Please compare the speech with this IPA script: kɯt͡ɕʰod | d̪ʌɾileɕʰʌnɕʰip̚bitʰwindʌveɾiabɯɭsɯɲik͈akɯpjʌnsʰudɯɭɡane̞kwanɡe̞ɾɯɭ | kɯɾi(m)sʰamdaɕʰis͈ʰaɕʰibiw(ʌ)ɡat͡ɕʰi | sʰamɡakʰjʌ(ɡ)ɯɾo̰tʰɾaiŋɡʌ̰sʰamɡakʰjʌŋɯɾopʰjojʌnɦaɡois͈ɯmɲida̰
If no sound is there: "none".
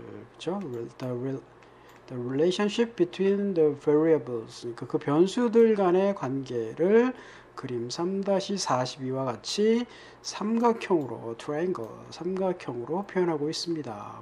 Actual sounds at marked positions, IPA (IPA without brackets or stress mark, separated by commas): m, a, ŋ